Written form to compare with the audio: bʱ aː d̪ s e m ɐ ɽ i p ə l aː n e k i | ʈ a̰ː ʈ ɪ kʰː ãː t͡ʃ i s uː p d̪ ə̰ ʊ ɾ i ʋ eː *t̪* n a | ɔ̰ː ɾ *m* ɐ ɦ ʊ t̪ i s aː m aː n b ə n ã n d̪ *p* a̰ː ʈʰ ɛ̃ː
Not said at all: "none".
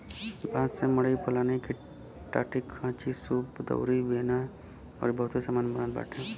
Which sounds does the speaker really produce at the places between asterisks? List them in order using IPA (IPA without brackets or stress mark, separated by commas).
none, b, b